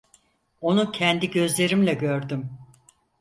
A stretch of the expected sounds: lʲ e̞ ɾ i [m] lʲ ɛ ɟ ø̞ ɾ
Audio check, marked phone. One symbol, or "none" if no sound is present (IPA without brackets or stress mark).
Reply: m